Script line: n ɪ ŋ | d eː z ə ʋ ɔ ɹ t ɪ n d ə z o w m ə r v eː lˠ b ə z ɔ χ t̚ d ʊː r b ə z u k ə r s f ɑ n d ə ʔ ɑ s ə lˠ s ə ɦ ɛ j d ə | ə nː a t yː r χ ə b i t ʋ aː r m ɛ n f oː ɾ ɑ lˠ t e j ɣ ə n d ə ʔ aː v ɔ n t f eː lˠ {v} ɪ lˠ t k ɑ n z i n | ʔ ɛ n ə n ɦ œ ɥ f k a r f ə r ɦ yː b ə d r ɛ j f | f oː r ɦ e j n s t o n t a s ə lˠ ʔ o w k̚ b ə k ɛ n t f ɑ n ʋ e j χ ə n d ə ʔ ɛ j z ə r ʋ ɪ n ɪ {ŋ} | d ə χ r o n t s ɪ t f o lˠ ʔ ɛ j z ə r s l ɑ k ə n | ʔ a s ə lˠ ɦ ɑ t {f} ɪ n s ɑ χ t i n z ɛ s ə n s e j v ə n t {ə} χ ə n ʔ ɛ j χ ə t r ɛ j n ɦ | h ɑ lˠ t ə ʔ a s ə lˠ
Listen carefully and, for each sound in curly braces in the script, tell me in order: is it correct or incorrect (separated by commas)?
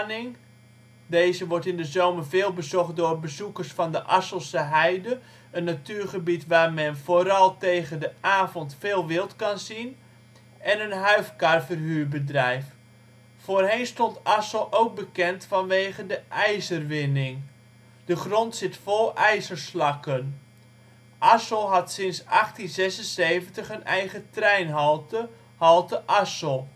incorrect, correct, incorrect, correct